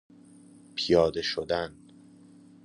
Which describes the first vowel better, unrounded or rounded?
unrounded